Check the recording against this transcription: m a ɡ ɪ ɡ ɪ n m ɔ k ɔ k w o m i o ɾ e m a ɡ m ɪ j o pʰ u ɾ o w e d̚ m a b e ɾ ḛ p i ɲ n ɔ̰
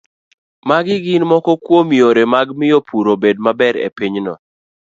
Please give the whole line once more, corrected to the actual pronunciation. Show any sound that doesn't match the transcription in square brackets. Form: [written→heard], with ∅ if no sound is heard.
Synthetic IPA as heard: m a ɡ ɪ ɡ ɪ n m ɔ k ɔ k w o m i o ɾ e m a ɡ m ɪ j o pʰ u ɾ o [w→b] e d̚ m a b [e→ɛ] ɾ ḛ p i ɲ n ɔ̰